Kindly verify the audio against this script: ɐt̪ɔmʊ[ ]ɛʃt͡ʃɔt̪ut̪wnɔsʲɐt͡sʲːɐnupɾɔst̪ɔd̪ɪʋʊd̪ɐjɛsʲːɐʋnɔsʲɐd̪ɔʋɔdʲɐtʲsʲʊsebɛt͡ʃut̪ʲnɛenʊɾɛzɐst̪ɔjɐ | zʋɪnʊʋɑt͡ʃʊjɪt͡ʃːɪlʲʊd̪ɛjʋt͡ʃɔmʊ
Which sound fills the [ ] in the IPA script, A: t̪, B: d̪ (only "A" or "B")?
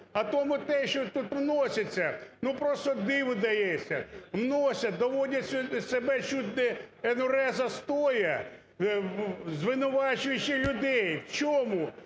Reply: A